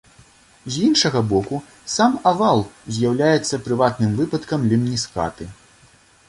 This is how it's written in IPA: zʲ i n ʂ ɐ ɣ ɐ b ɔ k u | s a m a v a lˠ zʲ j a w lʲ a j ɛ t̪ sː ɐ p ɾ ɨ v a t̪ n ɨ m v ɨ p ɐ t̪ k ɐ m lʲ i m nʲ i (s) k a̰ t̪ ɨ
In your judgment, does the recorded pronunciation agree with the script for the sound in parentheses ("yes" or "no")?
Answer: yes